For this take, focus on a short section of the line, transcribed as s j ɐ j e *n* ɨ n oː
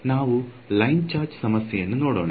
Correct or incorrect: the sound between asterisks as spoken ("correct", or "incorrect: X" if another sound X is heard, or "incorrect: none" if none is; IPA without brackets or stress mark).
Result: incorrect: nː